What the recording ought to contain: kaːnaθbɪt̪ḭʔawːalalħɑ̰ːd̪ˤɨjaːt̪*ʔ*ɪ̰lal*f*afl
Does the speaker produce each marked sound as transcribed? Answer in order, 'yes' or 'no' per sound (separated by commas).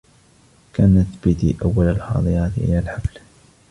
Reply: yes, no